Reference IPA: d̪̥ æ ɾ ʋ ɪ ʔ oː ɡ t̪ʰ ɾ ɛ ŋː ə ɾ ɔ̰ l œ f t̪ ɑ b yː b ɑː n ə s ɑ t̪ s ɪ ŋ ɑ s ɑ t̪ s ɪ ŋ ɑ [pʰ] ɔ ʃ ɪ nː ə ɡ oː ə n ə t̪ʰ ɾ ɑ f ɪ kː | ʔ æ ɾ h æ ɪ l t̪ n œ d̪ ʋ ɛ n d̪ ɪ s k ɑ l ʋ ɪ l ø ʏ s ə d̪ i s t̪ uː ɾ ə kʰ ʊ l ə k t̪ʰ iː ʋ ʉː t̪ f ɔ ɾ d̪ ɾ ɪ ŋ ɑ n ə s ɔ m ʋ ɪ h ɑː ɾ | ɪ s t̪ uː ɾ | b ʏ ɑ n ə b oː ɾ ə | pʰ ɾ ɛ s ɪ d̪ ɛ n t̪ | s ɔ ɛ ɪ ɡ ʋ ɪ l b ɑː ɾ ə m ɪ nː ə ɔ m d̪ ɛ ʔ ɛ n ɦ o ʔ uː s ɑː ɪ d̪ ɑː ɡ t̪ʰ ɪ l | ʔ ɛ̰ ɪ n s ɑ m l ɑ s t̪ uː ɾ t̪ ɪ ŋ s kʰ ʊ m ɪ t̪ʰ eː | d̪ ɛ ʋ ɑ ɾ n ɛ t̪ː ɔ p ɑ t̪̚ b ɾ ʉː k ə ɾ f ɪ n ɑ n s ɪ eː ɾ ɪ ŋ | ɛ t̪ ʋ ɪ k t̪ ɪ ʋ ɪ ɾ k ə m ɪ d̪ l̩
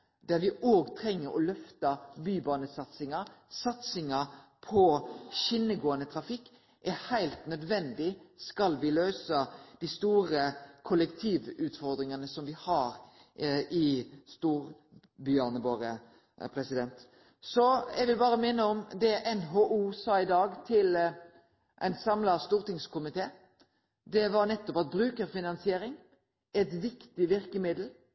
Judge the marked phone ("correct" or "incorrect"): correct